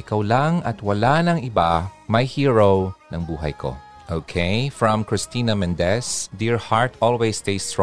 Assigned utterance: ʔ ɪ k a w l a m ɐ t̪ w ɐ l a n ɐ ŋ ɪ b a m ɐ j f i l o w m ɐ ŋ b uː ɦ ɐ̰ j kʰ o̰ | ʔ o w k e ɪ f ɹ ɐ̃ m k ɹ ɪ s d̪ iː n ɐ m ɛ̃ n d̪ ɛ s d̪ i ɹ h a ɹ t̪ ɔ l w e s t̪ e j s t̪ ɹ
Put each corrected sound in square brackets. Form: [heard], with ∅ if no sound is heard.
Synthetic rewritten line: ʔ ɪ k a w l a [ŋ] ɐ t̪ w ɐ l a n ɐ ŋ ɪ b a m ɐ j [h] i [ɹ] o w [n] ɐ ŋ b uː ɦ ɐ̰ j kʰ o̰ | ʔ o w [kʰ] e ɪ f ɹ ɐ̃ m k ɹ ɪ s [t̪] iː n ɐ m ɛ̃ n d̪ ɛ s d̪ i ɹ h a ɹ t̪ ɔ l w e s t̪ e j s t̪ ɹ